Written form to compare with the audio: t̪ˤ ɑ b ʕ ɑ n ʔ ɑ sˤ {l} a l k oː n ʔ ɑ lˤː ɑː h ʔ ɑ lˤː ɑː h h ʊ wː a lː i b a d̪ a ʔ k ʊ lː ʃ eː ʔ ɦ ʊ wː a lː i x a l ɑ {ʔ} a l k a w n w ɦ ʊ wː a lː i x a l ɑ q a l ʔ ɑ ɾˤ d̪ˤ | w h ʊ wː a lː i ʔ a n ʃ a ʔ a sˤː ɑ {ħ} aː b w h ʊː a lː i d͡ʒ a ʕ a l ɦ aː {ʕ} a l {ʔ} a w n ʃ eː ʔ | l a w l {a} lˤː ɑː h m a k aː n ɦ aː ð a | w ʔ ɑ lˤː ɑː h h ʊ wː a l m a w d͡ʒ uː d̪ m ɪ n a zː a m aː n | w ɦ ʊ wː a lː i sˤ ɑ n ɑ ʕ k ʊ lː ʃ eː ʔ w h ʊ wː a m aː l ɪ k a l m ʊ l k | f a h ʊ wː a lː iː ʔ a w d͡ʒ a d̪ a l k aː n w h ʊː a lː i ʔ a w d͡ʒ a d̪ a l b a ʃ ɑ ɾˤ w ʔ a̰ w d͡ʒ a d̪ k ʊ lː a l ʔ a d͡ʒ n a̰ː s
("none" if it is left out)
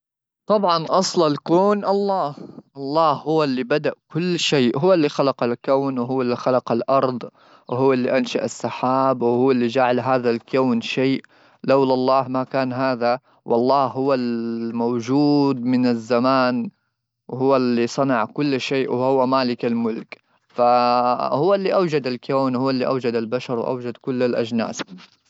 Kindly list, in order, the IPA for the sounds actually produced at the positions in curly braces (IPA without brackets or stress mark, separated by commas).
l, q, ħ, ð, k, ɑ